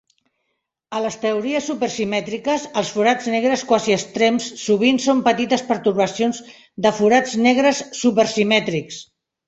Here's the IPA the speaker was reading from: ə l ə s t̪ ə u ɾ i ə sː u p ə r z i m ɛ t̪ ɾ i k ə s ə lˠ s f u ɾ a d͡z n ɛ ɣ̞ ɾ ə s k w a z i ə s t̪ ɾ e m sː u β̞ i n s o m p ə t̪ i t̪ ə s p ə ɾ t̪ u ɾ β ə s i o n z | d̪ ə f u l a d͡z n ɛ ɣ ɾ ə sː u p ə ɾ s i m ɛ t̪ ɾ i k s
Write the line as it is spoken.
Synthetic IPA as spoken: ə l ə s t̪ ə u ɾ i ə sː u p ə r s i m ɛ t̪ ɾ i k ə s ə lˠ s f u ɾ a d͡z n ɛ ɣ̞ ɾ ə s k w a z i ə s t̪ ɾ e m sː u β̞ i n s o m p ə t̪ i t̪ ə s p ə ɾ t̪ u ɾ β ə s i o n z | d̪ ə f u ɾ a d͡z n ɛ ɣ ɾ ə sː u p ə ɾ s i m ɛ t̪ ɾ i k s